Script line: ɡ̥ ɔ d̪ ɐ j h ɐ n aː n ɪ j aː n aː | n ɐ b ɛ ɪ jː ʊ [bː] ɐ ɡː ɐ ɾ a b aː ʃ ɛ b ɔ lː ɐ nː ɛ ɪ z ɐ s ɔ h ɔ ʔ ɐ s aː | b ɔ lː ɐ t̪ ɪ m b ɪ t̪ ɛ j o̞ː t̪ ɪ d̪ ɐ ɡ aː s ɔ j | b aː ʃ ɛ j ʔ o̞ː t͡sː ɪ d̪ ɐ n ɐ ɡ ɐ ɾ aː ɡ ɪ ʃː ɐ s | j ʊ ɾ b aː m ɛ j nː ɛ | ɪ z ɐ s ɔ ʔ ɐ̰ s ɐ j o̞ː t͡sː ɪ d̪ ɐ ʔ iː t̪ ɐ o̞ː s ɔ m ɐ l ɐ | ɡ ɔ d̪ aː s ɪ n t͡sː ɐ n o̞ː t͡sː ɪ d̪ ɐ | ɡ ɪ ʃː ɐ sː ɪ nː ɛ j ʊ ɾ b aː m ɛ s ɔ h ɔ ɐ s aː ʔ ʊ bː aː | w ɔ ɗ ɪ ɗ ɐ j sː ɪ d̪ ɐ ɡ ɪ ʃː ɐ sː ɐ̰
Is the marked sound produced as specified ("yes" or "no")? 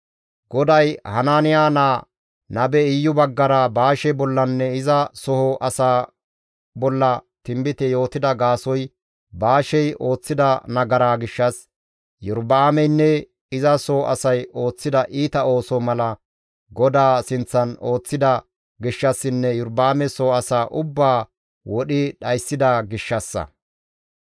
no